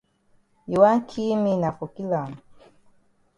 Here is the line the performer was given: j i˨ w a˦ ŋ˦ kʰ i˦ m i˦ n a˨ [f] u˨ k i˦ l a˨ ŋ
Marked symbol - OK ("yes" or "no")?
yes